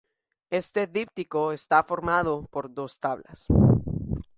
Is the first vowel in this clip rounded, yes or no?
no